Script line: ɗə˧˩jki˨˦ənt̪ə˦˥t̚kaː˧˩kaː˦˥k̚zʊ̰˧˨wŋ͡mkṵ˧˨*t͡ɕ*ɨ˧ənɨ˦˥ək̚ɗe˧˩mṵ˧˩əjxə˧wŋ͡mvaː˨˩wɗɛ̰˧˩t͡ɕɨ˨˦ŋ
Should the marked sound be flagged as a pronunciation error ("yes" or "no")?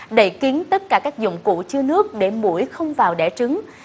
no